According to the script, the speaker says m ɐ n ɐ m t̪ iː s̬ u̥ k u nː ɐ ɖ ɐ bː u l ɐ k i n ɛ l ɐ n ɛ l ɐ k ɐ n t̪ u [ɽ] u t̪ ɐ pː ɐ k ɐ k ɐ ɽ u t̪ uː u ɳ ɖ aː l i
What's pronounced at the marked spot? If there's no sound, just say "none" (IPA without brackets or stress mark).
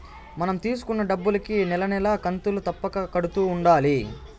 l